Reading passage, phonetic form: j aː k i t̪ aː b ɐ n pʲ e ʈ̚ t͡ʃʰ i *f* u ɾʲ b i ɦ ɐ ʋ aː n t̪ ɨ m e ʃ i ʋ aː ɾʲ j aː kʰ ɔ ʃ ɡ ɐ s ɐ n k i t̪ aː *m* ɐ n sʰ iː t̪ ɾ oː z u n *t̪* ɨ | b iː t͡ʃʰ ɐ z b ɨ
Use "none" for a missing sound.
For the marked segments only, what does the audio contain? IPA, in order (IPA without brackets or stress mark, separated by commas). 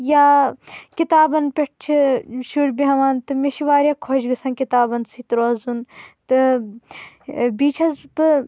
ʃ, b, t̪